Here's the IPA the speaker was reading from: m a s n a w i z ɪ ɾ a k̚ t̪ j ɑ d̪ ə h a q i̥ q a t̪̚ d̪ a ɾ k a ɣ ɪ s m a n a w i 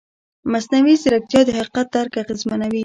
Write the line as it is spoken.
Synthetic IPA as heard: m a s n a w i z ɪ ɾ a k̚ t̪ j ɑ d̪ ə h a q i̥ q a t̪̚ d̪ a ɾ k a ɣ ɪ z m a n a w i